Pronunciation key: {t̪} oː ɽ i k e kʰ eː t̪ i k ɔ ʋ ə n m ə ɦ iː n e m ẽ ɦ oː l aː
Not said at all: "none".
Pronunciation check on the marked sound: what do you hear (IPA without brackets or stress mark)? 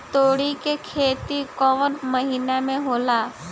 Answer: t̪